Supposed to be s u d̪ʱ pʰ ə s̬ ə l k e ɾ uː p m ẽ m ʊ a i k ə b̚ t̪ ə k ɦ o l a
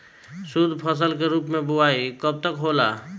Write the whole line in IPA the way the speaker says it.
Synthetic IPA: s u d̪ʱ pʰ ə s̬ ə l k e ɾ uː p m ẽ b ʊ a i k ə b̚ t̪ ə k ɦ o l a